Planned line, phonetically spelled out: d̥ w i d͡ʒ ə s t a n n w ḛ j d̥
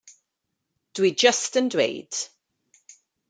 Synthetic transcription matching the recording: d̥ w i d͡ʒ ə s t ə n d w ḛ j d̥